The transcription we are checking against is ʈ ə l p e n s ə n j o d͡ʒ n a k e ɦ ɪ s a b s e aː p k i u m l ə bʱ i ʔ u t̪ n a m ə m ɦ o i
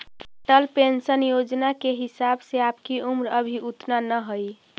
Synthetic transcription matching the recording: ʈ ə l p e n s ə n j o d͡ʒ n a k e ɦ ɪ s a b s e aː p k i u m ɾ ə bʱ i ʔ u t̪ n a n ə ɦ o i